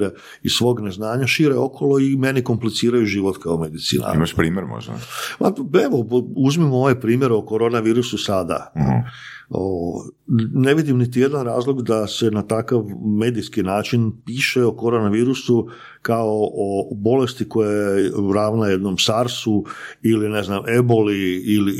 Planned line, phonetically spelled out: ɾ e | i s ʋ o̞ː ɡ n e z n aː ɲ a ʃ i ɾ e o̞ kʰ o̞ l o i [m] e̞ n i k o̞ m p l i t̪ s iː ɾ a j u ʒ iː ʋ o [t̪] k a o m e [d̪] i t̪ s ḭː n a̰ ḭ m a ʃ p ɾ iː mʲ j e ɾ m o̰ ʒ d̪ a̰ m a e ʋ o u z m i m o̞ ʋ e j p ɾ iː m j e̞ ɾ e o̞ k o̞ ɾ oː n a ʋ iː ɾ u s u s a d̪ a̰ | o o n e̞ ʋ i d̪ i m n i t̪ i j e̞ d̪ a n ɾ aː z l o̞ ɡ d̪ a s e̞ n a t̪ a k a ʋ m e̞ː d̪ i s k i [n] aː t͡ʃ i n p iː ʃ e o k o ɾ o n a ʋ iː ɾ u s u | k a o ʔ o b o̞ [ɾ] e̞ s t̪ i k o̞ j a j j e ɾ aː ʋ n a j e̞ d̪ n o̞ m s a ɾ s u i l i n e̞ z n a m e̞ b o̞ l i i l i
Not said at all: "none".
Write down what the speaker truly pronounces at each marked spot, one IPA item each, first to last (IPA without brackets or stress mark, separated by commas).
m, t̪, d̪, n, l